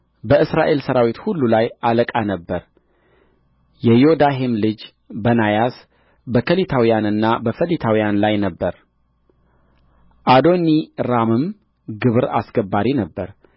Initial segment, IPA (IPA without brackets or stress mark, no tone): b